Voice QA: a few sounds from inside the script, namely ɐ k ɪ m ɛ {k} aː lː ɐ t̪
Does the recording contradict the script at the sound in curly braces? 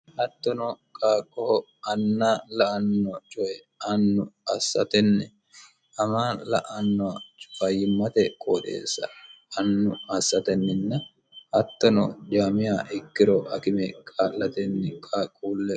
yes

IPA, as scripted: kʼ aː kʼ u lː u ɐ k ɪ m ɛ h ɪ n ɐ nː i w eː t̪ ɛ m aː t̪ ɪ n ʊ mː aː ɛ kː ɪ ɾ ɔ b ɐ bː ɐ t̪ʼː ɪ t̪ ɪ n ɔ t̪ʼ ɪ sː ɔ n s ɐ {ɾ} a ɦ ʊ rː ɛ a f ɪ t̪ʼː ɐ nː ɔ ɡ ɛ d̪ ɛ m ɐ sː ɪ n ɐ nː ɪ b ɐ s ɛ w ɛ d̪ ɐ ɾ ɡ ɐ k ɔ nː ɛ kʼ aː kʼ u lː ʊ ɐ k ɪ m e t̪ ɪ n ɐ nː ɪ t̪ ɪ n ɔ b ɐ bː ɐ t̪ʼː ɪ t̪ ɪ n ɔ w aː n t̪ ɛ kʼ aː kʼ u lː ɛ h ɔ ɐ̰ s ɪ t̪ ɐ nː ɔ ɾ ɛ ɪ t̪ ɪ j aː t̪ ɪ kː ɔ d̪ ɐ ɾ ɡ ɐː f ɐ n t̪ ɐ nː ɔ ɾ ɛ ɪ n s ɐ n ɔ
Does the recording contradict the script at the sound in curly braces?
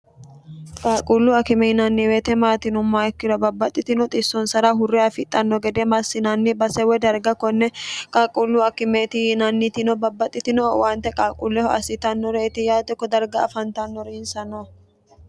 no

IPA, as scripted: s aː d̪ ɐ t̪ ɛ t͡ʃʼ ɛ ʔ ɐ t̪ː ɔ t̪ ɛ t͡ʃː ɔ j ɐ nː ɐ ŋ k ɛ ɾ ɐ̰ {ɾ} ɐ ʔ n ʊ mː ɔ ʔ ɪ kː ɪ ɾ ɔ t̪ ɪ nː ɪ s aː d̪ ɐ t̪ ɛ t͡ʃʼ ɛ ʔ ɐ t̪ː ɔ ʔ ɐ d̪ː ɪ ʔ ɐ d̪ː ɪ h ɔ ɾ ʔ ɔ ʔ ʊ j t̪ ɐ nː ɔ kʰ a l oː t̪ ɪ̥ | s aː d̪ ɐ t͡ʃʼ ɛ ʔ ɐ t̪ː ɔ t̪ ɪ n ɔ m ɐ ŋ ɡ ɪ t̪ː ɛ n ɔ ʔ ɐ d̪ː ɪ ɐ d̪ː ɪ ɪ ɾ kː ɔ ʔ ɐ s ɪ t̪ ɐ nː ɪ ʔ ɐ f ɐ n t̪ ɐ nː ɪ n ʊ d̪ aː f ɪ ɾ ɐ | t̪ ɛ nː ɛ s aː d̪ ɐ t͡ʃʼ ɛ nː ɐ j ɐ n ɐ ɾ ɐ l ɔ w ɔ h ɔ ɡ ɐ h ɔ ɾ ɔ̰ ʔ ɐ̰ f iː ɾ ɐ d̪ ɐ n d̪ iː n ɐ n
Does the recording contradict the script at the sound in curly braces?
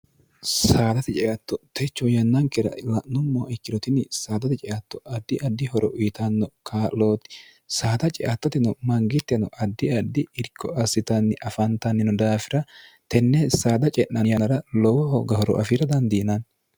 yes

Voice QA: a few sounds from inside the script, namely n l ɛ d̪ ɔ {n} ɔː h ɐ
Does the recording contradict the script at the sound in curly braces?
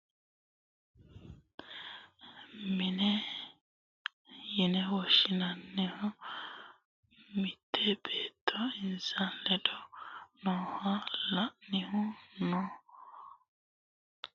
no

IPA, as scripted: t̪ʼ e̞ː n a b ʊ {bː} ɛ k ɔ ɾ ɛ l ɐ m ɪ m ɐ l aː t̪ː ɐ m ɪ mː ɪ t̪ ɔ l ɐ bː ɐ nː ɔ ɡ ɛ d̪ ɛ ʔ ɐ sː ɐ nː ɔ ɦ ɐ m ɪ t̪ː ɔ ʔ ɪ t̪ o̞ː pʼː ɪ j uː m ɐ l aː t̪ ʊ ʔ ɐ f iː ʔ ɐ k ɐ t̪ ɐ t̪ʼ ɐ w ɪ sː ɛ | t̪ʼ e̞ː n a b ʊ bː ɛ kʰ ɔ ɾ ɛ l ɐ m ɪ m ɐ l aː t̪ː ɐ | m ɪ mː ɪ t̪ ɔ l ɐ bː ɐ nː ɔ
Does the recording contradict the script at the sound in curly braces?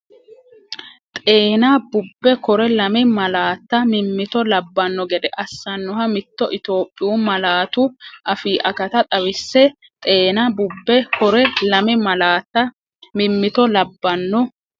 no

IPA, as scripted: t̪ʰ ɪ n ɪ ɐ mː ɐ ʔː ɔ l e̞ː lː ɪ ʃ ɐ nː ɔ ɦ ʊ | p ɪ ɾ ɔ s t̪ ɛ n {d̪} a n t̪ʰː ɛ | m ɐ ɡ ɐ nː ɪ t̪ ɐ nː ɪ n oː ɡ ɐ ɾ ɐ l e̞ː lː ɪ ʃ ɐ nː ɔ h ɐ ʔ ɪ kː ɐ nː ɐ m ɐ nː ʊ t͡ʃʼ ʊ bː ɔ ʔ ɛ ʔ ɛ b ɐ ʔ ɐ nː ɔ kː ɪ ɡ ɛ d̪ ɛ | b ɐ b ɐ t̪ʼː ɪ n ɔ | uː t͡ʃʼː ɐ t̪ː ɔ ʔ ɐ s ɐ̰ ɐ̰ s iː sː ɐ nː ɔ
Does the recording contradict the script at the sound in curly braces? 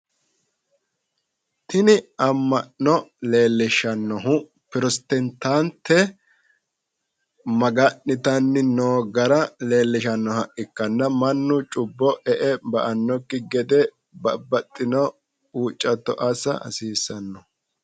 yes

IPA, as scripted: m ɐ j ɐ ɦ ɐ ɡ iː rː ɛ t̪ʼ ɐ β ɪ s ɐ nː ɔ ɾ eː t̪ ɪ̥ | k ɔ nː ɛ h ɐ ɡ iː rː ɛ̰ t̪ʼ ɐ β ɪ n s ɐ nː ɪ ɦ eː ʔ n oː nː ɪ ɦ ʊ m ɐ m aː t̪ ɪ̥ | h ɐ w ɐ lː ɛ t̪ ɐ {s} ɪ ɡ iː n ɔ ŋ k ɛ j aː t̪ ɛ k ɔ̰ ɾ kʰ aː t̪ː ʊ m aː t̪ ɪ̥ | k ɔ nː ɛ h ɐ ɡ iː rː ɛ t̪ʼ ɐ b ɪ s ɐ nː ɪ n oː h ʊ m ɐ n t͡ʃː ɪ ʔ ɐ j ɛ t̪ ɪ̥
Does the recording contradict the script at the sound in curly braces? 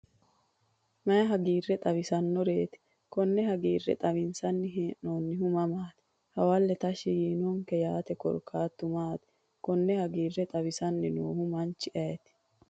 yes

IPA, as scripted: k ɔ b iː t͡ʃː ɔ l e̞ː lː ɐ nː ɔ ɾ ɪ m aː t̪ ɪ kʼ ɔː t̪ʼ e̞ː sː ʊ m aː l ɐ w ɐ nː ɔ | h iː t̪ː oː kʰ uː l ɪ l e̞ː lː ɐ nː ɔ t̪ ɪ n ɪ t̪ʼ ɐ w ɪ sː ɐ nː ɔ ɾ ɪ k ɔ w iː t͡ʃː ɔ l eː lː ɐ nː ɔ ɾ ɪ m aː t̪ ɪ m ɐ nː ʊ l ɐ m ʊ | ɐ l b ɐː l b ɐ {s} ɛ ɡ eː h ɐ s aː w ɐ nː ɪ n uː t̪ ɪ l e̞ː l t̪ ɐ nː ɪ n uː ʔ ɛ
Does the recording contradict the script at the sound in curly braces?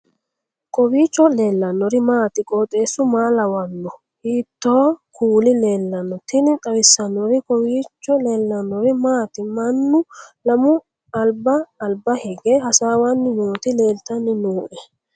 yes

